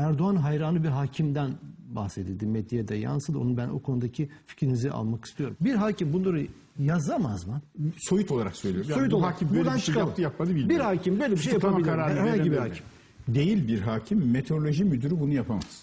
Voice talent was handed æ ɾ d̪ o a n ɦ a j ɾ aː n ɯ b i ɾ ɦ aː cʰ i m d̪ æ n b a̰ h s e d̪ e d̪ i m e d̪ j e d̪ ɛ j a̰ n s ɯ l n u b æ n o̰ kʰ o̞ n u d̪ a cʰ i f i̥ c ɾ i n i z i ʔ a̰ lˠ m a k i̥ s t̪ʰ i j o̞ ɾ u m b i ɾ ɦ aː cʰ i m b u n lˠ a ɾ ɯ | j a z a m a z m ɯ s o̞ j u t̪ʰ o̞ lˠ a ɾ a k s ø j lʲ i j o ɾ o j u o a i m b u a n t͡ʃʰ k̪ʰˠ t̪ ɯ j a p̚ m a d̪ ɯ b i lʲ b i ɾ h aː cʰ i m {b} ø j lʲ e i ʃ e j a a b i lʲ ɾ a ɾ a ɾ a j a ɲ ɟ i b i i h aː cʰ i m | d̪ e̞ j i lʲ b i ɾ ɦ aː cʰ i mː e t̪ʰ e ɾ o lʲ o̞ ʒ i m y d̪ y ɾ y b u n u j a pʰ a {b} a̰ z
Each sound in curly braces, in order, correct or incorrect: correct, incorrect

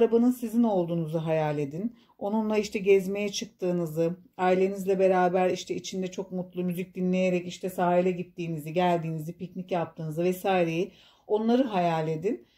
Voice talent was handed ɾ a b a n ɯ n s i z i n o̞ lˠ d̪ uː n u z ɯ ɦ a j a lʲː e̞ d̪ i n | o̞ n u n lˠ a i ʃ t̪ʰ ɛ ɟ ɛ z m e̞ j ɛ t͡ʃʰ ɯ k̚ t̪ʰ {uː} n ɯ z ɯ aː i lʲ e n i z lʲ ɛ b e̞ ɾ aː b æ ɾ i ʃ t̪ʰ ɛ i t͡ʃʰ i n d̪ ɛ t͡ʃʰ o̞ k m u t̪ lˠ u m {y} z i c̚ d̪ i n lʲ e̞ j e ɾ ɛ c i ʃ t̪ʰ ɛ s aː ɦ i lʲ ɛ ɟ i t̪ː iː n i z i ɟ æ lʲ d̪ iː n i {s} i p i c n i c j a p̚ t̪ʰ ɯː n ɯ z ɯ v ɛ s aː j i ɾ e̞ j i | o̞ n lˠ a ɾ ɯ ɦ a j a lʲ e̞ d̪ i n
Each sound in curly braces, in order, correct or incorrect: incorrect, correct, incorrect

